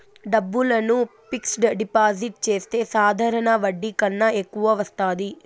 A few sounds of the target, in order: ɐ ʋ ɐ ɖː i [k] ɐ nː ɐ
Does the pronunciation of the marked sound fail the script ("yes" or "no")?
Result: no